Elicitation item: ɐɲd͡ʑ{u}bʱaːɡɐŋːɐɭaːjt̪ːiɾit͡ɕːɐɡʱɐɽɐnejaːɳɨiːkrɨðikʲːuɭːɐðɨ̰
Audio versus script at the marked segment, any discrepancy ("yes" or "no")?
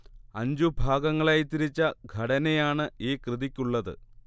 no